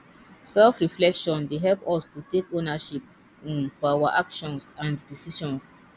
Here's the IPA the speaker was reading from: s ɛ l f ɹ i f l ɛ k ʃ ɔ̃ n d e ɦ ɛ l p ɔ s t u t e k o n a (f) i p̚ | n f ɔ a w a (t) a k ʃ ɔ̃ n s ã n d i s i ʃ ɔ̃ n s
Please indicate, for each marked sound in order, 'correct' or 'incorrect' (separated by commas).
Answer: incorrect, incorrect